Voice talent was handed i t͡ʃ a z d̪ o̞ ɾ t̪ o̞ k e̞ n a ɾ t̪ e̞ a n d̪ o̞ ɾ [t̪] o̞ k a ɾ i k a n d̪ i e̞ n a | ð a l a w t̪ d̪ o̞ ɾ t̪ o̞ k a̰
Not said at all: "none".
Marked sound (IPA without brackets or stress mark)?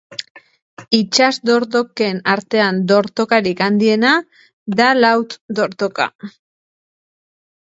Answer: t̪